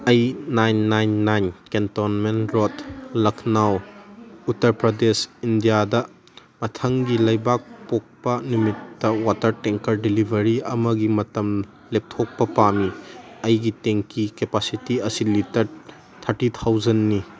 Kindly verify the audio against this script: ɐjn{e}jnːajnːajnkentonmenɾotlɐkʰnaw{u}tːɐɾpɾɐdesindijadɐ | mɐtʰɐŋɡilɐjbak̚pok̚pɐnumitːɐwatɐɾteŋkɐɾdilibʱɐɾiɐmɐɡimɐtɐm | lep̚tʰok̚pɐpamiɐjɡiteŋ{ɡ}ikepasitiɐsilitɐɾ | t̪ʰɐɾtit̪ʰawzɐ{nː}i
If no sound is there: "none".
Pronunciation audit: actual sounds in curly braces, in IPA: a, u, k, nː

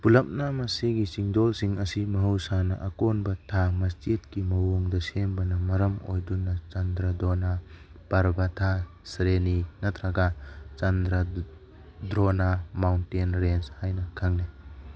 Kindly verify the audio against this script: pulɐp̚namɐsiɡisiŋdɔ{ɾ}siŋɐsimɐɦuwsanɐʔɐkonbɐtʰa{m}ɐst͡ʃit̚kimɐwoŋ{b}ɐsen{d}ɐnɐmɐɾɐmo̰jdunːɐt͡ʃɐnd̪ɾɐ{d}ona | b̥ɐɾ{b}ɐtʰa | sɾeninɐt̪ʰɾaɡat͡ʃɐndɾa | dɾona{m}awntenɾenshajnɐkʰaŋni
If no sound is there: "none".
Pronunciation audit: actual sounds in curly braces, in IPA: l, m, d, b, d, b, m

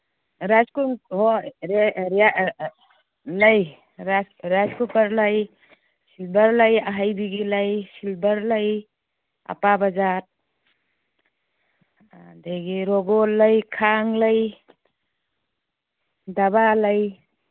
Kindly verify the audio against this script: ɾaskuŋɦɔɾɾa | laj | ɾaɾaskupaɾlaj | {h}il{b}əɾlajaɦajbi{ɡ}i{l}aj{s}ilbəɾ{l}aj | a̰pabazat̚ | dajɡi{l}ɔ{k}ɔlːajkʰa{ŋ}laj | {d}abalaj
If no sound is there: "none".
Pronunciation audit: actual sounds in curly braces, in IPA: s, b, ɡ, l, s, l, ɾ, ɡ, ŋ, d

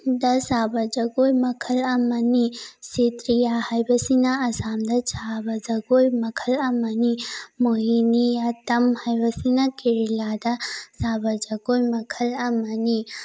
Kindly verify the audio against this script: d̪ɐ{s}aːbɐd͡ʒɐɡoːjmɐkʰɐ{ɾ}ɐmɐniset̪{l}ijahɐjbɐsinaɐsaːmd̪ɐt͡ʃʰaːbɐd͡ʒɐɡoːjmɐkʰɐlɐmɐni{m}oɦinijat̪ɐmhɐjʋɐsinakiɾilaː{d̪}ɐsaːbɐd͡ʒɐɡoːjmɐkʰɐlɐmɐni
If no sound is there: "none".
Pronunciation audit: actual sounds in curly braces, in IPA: s, l, ɾ, m, d̪

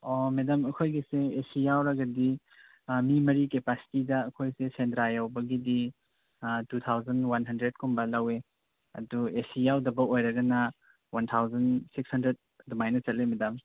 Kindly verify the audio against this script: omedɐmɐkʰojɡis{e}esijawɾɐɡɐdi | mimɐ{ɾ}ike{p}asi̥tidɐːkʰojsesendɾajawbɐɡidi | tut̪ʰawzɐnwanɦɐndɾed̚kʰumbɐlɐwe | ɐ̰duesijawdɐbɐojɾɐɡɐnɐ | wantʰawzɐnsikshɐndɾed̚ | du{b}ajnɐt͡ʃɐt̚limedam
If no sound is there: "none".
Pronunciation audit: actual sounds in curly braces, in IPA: e, ɾ, p, m

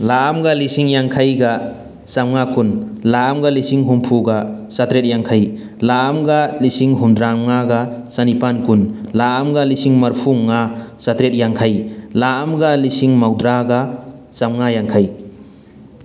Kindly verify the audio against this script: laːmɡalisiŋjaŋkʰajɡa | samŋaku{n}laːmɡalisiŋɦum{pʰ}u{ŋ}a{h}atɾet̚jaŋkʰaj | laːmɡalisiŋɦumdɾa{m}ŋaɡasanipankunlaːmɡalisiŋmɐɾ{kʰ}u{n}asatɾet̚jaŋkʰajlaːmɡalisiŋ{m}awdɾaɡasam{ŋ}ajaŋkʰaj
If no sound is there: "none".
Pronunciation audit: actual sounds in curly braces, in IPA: n, pʰ, ɡ, s, m, pʰ, ŋ, m, ŋ

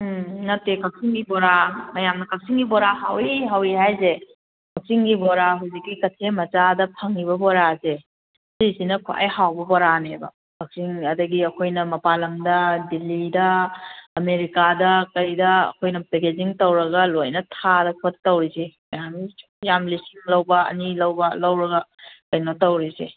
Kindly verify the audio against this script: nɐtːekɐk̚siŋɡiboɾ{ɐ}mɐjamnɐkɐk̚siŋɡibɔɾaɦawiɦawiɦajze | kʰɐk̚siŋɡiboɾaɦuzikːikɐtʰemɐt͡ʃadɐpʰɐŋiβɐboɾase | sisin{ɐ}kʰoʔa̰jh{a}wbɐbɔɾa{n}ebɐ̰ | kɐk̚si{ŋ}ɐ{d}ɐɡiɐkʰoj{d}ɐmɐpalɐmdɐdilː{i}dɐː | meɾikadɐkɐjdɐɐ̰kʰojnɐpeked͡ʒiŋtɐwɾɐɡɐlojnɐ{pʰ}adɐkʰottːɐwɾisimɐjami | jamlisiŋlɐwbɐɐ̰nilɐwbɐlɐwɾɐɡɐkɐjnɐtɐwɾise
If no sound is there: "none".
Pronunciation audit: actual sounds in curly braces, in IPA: a, ɐ, a, n, ŋ, d, n, i, tʰ

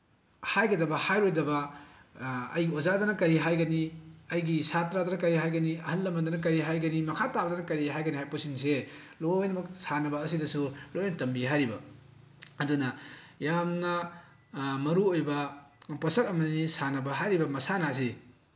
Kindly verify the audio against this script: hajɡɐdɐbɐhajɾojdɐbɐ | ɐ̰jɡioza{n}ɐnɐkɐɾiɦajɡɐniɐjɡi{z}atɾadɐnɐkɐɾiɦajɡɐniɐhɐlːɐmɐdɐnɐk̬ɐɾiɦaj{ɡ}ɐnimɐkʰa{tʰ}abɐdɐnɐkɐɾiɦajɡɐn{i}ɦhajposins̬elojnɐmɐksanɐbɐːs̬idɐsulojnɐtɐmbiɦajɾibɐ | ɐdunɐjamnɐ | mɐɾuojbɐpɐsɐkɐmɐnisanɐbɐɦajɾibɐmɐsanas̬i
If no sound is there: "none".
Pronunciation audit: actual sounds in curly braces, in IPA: d, s, ɡ, t, i

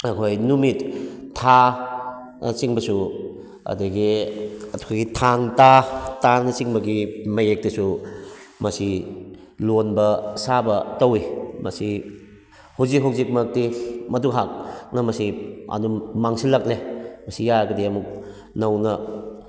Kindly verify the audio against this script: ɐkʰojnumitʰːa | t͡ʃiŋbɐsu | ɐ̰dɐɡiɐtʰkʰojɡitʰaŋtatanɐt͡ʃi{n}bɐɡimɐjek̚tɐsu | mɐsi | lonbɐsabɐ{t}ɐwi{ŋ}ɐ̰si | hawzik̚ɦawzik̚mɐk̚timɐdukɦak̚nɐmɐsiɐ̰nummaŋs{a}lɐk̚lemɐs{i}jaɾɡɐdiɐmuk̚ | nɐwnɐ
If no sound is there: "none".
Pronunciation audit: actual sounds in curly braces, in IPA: ŋ, t, m, i, i

